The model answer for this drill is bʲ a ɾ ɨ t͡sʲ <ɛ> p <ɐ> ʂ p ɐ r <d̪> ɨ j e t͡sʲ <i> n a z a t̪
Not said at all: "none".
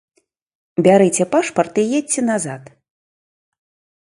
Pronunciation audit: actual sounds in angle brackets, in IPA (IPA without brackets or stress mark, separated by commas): ɛ, a, t̪, ɛ